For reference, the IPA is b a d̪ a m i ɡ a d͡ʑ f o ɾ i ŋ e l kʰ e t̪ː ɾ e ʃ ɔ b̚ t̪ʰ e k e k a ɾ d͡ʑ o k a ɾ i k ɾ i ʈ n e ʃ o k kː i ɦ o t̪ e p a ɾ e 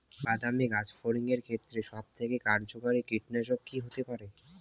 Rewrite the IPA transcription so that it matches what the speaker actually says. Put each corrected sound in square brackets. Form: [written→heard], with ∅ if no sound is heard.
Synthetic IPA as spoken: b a d̪ a m i ɡ a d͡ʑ f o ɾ i ŋ e [l→ɾ] kʰ e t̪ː ɾ e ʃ ɔ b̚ t̪ʰ e k e k a ɾ d͡ʑ o k a ɾ i k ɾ i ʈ n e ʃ o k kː i ɦ o t̪ e p a ɾ e